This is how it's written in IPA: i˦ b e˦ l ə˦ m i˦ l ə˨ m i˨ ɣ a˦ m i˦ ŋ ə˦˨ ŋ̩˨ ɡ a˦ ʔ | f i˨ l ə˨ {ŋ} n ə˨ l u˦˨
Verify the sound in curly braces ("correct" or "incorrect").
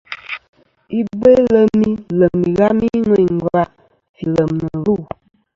incorrect